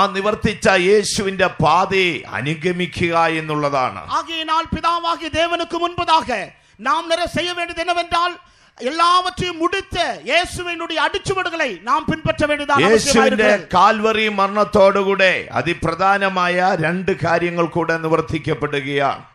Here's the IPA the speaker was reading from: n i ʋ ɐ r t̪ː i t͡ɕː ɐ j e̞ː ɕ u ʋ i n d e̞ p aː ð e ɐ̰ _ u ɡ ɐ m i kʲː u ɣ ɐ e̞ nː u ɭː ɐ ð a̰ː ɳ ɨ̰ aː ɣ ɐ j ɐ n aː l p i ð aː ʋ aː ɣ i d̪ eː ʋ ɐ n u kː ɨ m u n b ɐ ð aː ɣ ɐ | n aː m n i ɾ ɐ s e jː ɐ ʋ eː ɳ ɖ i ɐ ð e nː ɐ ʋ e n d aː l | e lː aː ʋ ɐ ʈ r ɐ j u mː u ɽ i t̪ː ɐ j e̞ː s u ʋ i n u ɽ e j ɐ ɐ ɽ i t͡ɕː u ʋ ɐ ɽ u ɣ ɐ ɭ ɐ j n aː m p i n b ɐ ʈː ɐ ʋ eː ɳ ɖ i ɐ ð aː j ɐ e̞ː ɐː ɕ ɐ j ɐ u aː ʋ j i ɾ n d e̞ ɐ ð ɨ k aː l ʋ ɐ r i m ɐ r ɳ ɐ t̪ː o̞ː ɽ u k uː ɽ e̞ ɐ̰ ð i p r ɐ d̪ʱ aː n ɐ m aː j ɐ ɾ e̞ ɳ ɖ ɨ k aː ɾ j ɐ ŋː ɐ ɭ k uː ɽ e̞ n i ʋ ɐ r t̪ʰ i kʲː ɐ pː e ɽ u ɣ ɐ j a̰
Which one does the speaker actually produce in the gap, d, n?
n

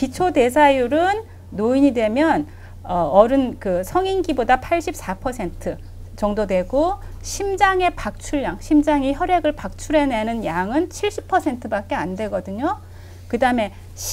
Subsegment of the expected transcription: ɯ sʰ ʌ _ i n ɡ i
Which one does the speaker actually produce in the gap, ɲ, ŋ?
ŋ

